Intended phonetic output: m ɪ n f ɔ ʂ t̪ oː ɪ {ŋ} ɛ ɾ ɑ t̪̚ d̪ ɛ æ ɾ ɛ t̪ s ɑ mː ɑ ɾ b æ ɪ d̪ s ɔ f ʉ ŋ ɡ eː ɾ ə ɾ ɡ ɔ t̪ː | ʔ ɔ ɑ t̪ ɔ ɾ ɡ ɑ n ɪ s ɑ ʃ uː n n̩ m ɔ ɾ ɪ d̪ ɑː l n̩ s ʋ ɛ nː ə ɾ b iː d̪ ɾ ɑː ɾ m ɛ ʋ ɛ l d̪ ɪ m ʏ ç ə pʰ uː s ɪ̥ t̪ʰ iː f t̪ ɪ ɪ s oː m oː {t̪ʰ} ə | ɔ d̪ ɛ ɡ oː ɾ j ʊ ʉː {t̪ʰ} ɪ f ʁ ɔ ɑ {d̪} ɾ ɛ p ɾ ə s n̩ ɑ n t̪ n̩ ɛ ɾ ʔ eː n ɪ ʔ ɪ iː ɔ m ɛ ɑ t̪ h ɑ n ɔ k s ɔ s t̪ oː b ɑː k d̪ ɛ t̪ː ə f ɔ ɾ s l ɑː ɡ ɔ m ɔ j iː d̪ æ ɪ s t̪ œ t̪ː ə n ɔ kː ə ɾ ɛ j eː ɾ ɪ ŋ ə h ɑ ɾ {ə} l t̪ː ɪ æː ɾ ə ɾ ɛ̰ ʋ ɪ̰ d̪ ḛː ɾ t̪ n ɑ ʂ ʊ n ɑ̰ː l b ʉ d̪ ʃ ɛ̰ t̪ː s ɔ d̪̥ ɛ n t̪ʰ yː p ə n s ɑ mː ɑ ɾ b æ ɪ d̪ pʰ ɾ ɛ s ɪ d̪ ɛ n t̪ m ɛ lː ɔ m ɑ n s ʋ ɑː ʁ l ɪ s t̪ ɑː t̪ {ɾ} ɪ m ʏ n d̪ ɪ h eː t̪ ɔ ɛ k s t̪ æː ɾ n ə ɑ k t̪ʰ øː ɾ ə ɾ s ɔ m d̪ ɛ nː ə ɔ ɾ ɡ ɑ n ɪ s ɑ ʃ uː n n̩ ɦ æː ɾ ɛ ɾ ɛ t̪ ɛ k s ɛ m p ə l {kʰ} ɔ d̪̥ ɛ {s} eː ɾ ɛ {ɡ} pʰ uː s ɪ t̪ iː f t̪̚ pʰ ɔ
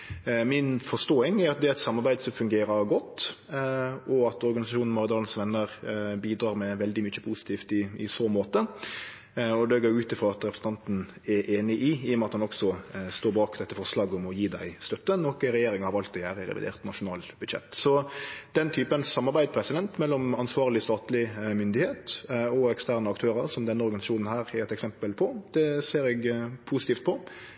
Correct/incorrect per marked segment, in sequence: correct, incorrect: t̪, incorrect: t̪, incorrect: t̪, incorrect: ɑ, incorrect: l, incorrect: pʰ, correct, correct

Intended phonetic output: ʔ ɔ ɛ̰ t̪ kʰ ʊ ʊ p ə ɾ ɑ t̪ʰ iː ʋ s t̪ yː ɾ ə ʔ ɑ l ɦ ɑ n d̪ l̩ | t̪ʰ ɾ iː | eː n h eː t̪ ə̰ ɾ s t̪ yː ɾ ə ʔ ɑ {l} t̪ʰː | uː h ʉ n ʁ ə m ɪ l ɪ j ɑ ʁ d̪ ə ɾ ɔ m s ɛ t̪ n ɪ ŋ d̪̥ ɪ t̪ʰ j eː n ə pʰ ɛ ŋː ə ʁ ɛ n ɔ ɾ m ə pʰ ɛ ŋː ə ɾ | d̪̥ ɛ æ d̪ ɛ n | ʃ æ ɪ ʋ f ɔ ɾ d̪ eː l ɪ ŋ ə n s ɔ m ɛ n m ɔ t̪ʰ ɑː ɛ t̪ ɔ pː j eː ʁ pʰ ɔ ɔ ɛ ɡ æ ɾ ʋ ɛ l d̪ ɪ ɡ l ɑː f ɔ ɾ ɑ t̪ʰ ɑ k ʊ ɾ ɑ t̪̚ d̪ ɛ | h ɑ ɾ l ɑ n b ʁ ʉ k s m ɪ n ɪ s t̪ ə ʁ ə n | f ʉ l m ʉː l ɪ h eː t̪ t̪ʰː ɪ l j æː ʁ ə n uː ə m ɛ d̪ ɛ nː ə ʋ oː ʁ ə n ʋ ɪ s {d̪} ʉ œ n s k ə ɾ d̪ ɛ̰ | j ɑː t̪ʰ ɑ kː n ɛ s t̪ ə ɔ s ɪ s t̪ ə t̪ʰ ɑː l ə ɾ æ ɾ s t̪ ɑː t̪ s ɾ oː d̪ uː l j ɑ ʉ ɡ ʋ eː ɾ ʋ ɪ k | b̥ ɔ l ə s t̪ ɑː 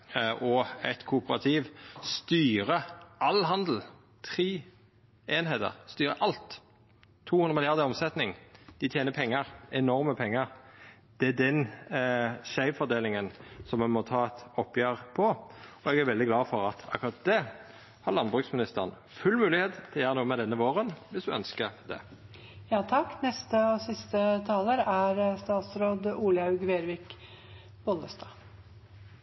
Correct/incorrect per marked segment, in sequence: correct, correct

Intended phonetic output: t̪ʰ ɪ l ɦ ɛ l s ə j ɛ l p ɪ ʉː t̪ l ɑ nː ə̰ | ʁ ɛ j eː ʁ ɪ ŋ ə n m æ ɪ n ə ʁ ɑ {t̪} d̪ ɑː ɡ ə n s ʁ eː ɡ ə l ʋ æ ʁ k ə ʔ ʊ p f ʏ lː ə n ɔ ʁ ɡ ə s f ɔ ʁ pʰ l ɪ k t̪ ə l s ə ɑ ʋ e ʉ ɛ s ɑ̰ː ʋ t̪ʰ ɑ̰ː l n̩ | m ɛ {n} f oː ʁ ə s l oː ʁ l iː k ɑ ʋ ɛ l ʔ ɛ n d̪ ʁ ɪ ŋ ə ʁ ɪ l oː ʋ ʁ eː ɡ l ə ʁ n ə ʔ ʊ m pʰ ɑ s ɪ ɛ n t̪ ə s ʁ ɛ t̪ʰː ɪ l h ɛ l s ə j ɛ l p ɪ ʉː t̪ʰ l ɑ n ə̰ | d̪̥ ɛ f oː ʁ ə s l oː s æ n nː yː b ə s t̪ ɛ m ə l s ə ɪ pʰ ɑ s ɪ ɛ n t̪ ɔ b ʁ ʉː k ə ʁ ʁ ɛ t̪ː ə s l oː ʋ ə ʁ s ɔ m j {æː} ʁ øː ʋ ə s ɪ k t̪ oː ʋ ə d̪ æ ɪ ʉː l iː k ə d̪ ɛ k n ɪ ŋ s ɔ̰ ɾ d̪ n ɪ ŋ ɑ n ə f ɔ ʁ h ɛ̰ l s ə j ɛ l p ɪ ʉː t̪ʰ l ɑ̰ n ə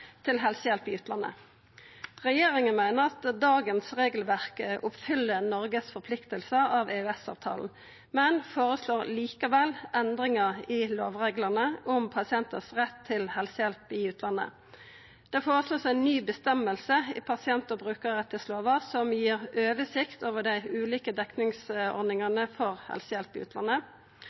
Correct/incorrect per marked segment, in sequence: correct, correct, incorrect: iː

